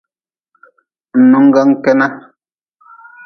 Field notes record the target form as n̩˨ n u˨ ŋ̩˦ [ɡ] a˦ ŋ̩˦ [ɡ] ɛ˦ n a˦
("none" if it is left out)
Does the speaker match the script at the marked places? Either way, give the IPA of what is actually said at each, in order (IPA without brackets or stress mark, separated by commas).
ɡ, k